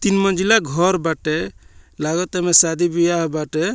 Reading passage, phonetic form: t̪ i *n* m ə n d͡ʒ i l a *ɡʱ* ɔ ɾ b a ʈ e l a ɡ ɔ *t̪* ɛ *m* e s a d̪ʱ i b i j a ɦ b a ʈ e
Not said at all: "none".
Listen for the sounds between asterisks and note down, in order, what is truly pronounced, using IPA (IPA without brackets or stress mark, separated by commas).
n, ɡʱ, t̪, m